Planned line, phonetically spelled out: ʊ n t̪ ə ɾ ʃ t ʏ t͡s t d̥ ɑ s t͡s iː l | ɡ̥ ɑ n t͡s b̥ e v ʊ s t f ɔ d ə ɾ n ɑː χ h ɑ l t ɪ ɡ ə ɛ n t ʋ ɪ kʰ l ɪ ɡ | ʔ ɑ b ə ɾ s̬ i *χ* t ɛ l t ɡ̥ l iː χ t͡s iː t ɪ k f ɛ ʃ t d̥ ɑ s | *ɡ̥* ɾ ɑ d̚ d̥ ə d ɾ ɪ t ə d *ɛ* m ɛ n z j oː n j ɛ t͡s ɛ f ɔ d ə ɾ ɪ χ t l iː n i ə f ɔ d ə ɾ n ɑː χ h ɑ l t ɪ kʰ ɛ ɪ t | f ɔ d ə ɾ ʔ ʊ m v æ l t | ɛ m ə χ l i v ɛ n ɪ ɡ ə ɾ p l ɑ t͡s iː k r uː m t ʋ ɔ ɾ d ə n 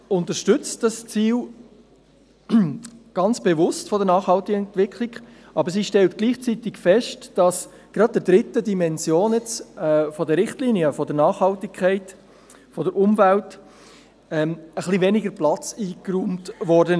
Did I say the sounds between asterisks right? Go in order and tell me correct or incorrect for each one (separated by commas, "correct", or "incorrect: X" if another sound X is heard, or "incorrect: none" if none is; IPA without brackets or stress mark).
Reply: incorrect: ʃ, correct, incorrect: i